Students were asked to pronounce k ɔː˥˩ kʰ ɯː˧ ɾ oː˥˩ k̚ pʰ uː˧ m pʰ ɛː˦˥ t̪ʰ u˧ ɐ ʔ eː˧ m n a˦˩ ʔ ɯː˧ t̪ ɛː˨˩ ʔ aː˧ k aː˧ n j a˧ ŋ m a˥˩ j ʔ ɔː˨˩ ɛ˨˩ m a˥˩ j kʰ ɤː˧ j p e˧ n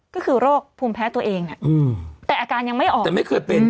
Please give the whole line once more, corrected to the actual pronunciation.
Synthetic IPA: k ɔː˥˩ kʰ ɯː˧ ɾ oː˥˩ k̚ pʰ uː˧ m pʰ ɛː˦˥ t̪ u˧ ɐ ʔ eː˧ ŋ n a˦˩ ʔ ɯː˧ t̪ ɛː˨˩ ʔ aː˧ k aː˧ n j a˧ ŋ m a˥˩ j ʔ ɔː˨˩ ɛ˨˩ m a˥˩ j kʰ ɤː˧ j p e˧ n